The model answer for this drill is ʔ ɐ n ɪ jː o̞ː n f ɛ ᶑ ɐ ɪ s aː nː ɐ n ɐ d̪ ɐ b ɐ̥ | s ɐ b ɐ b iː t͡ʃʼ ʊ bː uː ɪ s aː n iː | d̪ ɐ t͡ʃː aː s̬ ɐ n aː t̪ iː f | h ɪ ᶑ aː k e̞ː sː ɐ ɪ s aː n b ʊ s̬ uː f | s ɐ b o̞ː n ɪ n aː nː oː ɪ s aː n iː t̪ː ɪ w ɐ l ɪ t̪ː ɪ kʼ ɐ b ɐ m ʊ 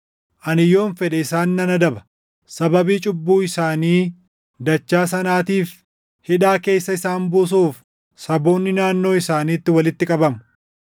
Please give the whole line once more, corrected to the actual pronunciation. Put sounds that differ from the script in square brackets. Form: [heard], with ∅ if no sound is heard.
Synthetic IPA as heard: ʔ ɐ n ɪ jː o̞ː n f ɛ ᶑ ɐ ɪ s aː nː ɐ n ɐ d̪ ɐ b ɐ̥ | s ɐ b ɐ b iː t͡ʃʼ ʊ bː uː ɪ s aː n iː | d̪ ɐ t͡ʃː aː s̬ ɐ n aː t̪ iː f | h ɪ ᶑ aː k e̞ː sː ɐ ɪ s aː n b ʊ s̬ uː f | s ɐ b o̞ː [nː] ɪ n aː nː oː ɪ s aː n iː t̪ː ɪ w ɐ l ɪ t̪ː ɪ kʼ ɐ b ɐ m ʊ